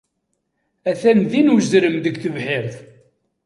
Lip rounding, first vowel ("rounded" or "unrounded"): unrounded